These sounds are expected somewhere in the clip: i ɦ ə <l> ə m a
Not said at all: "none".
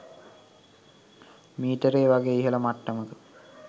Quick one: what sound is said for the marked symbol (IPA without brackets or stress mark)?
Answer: l